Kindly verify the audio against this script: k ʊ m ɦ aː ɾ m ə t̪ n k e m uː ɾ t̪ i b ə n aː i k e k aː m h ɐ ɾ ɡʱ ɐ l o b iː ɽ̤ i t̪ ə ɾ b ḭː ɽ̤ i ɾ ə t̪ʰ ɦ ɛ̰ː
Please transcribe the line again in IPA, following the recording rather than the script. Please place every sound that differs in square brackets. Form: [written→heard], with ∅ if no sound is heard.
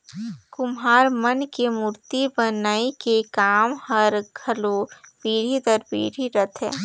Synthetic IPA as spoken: k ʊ m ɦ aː ɾ m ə [t̪→∅] n k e m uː ɾ t̪ i b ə n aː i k e k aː m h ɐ ɾ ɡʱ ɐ l o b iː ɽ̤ i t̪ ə ɾ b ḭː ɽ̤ i ɾ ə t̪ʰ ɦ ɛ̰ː